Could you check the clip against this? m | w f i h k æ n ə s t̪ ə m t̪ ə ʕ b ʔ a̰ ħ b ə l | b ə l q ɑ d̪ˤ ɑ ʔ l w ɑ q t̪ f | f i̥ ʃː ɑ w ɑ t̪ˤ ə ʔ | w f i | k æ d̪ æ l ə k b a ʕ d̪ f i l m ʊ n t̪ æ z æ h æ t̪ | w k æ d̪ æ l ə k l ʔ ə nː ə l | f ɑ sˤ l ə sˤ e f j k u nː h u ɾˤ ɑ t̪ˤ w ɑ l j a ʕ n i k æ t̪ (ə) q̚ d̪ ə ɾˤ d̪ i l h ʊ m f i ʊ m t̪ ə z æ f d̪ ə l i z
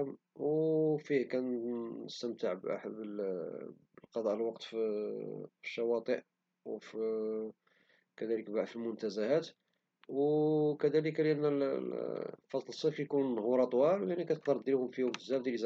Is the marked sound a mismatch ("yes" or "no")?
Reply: no